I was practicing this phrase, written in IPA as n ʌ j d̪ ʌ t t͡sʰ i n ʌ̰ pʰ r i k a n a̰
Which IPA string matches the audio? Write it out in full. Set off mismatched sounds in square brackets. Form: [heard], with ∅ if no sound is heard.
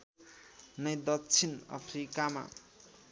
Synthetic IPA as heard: n ʌ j d̪ ʌ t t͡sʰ i n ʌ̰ pʰ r i k a [m] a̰